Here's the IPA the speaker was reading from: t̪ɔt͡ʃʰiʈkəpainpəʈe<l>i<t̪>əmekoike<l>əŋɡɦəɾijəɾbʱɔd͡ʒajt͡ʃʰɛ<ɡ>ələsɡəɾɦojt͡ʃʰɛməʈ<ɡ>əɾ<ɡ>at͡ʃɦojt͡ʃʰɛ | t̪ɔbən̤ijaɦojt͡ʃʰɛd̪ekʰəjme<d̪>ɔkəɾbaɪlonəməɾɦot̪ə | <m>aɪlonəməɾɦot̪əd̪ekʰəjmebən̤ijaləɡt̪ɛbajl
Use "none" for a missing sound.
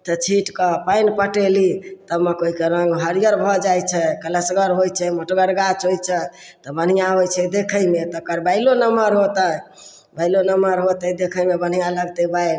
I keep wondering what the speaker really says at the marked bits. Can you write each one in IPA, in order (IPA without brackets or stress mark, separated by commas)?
l, t̪, ɾ, k, ɡ, ɡ, t̪, b